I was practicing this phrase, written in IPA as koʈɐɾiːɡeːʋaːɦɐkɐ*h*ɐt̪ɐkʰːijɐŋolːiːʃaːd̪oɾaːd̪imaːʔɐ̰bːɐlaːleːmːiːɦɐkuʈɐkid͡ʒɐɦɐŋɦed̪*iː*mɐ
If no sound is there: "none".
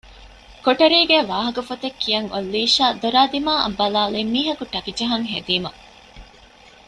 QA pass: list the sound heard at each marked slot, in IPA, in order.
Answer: f, iː

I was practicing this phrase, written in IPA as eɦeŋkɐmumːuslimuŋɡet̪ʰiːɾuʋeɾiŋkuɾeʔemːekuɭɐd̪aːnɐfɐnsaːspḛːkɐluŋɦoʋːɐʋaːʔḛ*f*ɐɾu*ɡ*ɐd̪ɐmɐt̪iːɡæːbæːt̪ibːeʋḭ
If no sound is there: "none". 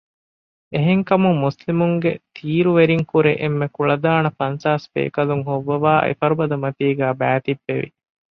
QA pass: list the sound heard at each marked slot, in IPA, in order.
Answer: f, b

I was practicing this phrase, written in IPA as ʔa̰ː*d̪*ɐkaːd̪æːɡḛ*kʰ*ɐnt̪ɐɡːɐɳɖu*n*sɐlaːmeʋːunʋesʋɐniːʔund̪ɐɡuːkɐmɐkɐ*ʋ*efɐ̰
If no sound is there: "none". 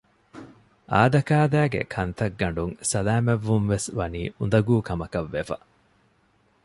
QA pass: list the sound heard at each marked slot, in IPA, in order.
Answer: d̪, kʰ, ŋ, ʋː

